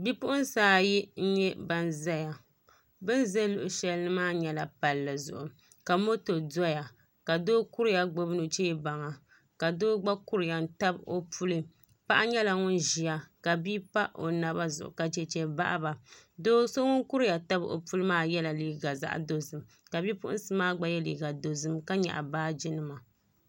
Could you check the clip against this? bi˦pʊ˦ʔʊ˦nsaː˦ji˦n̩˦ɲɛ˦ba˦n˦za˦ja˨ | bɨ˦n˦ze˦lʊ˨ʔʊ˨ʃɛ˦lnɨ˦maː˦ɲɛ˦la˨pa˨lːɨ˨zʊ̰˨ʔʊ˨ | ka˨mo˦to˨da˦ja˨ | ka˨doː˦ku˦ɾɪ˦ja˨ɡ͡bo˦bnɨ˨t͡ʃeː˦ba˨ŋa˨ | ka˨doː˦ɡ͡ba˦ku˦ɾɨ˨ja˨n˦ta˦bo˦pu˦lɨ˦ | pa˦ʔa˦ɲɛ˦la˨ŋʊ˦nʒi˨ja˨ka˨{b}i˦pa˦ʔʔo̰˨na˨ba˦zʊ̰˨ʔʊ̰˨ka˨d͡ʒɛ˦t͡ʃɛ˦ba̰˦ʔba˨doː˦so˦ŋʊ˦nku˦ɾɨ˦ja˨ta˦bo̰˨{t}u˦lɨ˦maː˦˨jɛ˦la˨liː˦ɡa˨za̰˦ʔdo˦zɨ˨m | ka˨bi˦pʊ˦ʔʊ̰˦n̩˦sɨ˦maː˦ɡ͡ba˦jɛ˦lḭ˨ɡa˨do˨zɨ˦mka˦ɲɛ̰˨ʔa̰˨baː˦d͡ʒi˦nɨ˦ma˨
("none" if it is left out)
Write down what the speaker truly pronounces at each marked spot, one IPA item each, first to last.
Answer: b, p

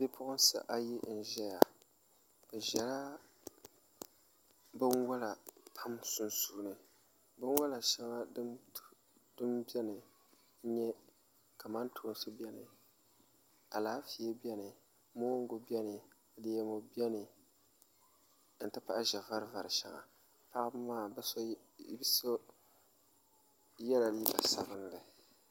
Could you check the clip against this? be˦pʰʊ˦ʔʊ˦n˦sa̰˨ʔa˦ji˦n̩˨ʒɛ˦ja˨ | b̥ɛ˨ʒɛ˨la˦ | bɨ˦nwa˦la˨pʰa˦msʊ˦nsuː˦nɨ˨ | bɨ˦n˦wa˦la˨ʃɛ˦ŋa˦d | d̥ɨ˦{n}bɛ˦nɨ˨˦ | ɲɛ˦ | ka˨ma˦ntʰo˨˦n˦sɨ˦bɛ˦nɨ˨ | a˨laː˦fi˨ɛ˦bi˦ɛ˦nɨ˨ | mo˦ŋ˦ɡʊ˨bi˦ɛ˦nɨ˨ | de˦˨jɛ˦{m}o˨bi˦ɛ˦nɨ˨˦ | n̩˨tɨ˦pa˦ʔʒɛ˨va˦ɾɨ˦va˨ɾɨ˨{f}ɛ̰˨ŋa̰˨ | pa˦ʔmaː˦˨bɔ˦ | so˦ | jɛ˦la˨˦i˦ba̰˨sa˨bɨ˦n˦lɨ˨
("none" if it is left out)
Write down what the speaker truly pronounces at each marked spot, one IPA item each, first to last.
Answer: m, m, ʃ

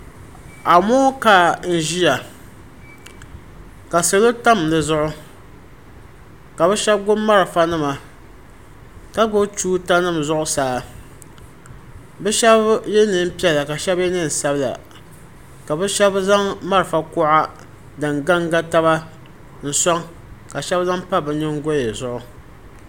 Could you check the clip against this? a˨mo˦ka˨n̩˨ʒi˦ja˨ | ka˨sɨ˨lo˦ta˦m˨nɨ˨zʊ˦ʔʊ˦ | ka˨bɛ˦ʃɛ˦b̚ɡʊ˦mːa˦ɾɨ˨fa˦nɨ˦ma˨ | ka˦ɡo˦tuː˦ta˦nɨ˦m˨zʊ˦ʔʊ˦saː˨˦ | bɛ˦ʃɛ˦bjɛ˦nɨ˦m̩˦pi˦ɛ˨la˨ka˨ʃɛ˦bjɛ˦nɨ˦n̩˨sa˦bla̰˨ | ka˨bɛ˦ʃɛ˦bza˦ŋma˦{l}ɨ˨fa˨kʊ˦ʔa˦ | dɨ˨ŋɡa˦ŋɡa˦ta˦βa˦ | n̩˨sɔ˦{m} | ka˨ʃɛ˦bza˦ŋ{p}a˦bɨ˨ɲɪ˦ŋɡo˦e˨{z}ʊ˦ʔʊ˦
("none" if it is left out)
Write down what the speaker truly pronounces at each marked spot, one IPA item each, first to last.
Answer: ɾ, ŋ, p, z

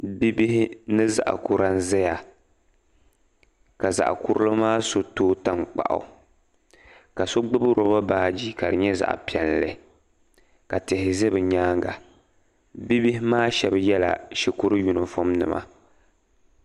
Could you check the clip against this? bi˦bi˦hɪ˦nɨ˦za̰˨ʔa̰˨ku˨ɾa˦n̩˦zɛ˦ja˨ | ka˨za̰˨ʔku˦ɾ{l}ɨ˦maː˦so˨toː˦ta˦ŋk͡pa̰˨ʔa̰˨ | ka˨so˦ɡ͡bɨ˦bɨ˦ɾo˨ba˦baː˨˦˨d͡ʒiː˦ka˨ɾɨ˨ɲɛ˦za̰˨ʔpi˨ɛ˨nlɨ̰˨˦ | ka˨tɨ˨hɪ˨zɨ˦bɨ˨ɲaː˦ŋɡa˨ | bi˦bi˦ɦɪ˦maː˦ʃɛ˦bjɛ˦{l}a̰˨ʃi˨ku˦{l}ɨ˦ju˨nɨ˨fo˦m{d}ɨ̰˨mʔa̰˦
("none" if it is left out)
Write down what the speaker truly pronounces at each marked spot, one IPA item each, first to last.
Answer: l, l, ɾ, n

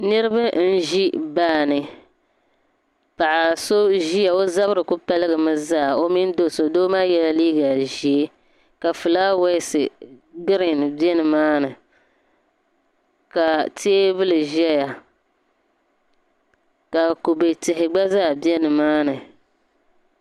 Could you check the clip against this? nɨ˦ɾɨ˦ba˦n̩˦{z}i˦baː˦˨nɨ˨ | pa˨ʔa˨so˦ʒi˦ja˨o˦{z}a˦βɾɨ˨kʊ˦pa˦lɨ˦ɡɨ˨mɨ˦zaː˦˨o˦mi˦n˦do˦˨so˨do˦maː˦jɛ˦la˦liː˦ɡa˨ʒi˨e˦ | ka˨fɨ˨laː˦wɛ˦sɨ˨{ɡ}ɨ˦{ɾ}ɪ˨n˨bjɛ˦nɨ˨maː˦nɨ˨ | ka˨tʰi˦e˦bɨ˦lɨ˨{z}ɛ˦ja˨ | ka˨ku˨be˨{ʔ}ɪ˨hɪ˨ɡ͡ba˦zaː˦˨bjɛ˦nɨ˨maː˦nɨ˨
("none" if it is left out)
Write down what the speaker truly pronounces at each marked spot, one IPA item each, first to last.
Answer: ʒ, z, ɡ, ɾ, ʒ, t

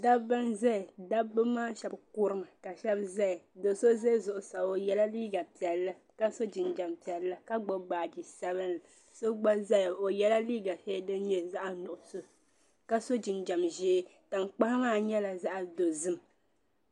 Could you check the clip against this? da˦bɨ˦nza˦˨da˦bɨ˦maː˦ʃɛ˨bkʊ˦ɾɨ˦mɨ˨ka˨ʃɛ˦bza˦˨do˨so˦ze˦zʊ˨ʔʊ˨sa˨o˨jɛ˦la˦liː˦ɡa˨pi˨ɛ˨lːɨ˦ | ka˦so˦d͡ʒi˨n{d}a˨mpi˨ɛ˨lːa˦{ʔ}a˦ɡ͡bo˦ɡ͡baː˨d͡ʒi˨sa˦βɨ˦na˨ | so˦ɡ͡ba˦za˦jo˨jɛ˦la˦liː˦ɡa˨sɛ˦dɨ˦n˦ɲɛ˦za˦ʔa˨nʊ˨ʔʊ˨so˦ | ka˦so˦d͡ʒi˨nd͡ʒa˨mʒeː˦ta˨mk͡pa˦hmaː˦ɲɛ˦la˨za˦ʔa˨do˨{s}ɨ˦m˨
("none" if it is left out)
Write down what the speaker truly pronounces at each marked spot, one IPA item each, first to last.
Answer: d͡ʒ, k, z

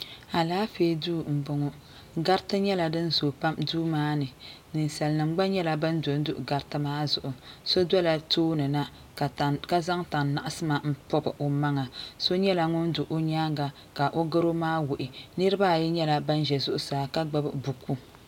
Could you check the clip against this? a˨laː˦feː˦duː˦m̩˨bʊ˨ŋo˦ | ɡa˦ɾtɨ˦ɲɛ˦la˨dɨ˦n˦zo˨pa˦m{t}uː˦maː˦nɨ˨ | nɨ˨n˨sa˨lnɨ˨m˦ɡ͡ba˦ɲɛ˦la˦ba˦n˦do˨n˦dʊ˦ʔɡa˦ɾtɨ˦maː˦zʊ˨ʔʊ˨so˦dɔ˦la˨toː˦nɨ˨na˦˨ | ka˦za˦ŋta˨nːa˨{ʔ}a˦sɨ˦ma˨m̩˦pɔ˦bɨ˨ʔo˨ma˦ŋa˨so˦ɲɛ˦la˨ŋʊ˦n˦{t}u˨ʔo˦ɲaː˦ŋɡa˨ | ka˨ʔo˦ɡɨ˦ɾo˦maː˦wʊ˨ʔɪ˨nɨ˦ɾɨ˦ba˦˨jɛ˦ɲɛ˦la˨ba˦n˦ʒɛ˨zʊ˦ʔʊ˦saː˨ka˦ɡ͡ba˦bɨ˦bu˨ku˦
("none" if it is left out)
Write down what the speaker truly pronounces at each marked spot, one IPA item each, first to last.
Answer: d, ʔ, d

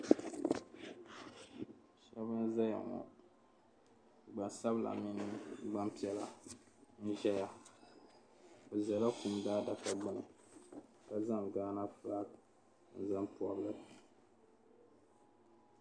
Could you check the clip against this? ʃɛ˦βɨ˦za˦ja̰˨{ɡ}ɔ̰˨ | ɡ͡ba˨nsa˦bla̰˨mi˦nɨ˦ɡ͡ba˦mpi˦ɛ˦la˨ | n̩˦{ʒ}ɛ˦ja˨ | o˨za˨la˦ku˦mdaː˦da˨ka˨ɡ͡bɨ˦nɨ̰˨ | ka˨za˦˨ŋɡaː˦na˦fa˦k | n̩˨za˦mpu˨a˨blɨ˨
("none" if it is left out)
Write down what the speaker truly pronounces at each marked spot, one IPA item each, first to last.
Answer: ŋ, ʒ

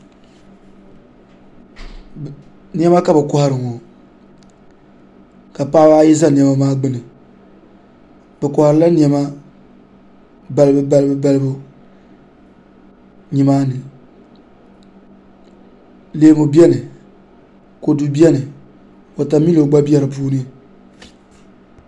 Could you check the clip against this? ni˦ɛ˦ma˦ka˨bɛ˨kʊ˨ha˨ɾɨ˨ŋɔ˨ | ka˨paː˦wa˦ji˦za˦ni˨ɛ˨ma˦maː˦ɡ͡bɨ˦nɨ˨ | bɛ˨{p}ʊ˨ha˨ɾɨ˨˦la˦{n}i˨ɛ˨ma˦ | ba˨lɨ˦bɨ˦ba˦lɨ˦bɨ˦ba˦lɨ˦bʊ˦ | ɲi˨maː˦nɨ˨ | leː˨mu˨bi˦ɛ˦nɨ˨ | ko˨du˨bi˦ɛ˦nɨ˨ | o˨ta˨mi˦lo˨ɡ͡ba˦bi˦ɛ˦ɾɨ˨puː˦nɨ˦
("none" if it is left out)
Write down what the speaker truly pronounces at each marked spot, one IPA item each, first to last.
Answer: k, n

